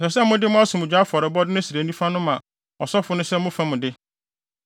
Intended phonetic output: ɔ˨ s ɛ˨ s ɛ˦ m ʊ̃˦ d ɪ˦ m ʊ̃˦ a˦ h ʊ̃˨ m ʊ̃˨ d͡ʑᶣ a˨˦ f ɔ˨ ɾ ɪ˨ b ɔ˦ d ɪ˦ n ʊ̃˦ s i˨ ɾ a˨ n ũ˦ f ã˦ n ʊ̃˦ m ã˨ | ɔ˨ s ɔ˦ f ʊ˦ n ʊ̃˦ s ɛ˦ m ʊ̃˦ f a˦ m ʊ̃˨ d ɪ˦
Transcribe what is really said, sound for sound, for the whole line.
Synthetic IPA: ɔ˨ s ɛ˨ s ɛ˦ m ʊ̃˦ d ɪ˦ m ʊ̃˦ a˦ s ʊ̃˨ m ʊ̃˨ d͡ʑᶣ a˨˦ f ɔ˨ ɾ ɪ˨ b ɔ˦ d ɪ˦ n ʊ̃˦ s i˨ ɾ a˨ n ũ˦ f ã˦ n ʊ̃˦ m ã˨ | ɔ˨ s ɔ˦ f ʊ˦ n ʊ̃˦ s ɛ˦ m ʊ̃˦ f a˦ m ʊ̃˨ d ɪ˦